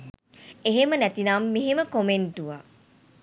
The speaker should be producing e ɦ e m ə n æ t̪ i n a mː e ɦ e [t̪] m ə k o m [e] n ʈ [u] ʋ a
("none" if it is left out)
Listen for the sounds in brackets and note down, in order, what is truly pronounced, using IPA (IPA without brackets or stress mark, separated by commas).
none, e, u